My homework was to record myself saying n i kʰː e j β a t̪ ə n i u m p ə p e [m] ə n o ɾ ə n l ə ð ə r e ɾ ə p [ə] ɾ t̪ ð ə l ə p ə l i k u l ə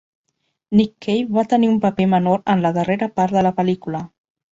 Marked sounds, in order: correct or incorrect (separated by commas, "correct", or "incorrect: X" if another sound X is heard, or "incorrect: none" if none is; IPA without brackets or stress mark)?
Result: correct, incorrect: a